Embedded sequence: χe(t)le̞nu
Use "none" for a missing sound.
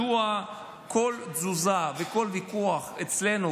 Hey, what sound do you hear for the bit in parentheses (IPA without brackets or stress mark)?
t͡s